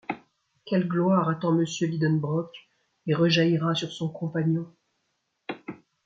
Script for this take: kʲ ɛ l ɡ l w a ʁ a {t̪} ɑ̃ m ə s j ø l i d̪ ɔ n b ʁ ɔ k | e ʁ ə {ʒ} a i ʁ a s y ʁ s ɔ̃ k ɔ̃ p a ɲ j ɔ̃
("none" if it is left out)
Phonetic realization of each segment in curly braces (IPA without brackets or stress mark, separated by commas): t̪, ʒ